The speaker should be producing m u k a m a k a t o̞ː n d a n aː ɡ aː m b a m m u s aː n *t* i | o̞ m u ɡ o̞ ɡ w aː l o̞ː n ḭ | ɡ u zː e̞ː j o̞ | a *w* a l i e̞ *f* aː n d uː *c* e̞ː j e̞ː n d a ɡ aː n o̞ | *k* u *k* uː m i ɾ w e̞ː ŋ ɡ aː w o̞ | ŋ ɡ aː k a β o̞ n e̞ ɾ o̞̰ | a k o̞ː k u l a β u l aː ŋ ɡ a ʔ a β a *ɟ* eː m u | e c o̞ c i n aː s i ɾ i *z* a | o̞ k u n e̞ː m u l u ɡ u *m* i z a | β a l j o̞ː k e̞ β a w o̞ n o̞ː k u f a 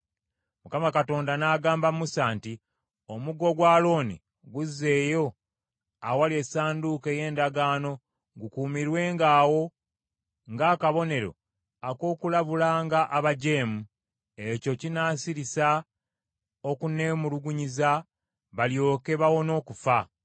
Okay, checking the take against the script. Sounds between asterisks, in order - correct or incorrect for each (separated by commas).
correct, correct, incorrect, incorrect, incorrect, correct, correct, incorrect, incorrect